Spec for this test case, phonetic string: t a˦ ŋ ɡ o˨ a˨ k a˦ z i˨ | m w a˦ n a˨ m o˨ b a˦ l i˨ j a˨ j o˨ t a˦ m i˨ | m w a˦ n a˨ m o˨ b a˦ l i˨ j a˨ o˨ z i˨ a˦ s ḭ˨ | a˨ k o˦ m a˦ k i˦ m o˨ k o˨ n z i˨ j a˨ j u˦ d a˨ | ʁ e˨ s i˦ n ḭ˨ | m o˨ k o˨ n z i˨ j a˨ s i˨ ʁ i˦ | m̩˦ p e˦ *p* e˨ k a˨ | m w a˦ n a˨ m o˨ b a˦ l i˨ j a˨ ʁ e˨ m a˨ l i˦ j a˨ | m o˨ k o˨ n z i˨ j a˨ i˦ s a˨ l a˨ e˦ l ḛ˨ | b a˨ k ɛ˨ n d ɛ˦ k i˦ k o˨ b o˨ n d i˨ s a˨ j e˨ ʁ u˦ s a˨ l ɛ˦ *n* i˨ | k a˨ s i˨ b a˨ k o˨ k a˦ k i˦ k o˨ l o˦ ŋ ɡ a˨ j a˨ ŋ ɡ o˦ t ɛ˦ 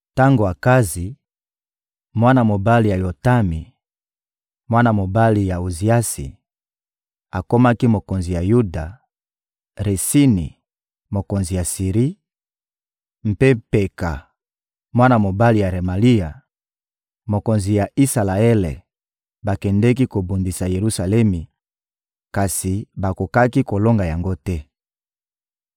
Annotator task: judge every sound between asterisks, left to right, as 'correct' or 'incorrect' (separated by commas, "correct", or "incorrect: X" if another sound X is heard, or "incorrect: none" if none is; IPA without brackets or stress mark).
correct, incorrect: m